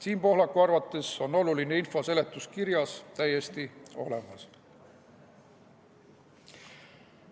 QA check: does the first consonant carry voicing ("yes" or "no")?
no